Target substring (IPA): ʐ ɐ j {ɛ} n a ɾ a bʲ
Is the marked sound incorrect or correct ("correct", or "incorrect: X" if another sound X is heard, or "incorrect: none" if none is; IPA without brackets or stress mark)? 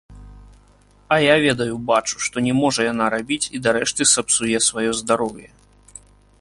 incorrect: a